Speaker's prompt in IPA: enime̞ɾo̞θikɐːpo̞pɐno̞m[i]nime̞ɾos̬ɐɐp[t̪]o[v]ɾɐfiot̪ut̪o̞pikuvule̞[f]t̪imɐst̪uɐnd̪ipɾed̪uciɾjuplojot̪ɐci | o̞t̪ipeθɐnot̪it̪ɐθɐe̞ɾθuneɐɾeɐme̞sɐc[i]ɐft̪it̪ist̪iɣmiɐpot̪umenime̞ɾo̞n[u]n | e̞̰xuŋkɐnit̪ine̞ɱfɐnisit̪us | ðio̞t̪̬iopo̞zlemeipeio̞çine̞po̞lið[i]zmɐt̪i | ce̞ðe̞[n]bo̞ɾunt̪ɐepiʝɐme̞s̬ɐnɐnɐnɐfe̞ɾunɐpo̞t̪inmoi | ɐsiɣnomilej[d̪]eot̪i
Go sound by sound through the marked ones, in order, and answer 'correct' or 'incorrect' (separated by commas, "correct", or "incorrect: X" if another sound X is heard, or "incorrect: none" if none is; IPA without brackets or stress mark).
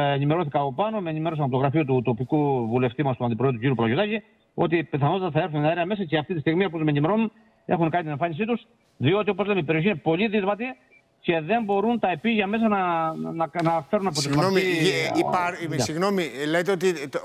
incorrect: e, correct, incorrect: ɣ, correct, incorrect: e, correct, correct, incorrect: m, incorrect: t̪